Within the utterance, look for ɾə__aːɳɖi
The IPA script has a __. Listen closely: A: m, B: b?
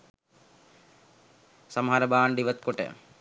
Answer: B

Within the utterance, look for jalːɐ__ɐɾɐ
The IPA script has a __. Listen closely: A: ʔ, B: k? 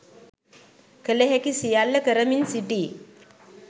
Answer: B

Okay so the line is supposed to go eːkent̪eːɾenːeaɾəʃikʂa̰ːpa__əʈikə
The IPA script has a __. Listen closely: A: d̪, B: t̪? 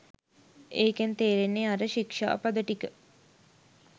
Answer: A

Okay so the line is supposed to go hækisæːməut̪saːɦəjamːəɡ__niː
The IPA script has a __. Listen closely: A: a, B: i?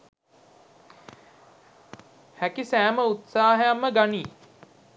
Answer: A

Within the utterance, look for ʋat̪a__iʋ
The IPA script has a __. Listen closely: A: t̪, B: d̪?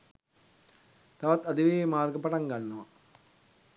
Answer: B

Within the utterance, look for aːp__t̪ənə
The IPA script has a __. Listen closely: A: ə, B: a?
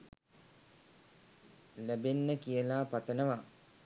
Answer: B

